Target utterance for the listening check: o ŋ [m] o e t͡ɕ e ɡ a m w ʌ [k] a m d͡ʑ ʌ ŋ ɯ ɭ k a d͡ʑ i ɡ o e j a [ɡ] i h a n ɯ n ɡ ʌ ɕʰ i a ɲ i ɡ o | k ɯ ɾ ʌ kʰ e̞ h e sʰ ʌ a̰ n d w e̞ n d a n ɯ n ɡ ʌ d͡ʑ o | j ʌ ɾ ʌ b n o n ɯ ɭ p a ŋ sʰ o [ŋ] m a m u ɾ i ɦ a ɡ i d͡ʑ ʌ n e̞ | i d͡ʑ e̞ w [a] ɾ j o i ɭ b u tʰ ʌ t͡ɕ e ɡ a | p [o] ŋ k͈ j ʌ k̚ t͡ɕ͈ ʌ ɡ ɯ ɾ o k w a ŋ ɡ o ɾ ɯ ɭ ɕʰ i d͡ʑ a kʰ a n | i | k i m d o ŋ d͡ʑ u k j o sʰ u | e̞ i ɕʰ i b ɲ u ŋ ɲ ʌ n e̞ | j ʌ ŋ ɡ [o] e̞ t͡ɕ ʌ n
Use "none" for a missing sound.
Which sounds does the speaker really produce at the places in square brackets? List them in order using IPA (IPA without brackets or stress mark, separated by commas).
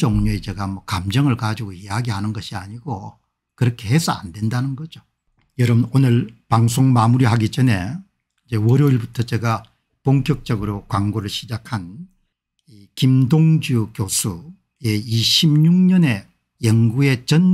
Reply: ɲ, k, ɡ, ŋ, ʌ, o, u